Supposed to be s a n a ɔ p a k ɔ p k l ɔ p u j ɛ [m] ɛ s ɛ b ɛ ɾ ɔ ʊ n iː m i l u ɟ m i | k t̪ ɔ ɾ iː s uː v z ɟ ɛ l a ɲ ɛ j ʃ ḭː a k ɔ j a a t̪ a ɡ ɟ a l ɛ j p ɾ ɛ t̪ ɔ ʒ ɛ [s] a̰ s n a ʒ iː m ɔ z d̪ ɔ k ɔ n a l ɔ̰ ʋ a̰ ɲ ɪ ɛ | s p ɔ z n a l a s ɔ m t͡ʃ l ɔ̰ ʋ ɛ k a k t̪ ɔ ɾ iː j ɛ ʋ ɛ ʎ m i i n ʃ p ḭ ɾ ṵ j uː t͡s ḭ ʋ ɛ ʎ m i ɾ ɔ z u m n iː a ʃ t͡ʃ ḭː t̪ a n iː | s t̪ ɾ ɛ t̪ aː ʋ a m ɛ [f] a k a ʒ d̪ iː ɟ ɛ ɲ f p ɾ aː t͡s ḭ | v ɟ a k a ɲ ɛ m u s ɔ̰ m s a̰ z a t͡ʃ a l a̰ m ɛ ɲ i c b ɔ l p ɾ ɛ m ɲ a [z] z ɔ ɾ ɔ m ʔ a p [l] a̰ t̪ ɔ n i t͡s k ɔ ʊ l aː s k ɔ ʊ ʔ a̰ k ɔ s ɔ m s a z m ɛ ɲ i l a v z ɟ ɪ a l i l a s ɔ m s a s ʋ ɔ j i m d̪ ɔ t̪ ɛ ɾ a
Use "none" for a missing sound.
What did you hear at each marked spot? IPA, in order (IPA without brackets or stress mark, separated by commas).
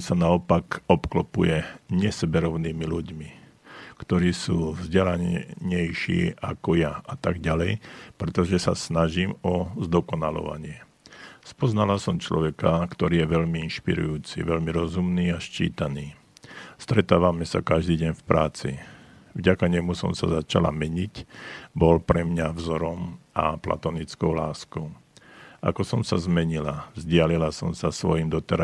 ɲ, s, s, v, l